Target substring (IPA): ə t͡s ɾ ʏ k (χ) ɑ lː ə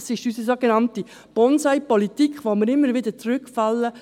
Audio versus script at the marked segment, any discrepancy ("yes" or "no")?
yes